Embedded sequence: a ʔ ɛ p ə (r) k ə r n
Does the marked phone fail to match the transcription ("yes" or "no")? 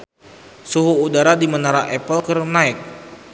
yes